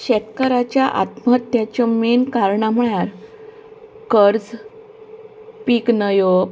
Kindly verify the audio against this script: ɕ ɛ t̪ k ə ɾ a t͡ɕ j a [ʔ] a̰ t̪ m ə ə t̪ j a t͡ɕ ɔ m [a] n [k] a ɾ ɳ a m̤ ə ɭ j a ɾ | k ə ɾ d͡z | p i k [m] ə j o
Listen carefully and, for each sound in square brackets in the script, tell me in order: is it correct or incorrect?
correct, incorrect: e, correct, incorrect: n

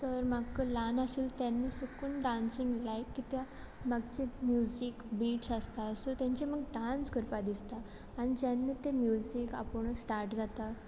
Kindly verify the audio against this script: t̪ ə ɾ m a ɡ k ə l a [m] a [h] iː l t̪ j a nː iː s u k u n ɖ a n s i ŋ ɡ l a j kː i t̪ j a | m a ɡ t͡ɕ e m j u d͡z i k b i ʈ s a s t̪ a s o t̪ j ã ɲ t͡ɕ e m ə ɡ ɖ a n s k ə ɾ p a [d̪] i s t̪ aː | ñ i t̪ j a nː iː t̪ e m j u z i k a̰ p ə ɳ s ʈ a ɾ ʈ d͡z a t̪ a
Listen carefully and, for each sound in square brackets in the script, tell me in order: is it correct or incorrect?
incorrect: n, incorrect: ɕ, correct

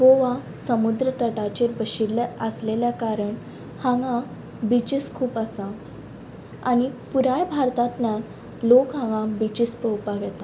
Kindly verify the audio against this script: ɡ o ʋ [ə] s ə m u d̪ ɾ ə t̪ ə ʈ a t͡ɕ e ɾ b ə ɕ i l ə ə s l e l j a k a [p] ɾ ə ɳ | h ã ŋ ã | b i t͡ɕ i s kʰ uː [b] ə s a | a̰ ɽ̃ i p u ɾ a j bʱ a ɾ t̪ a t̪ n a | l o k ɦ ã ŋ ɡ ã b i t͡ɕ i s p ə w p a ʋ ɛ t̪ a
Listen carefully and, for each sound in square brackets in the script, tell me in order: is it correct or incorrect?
incorrect: a, incorrect: none, incorrect: p

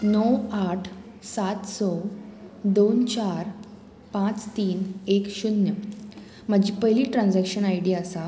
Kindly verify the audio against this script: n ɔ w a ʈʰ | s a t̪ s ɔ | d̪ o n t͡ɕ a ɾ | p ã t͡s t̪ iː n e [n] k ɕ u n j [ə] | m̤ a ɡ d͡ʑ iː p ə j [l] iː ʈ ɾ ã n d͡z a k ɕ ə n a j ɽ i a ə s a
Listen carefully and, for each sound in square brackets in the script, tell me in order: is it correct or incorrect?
incorrect: none, correct, correct

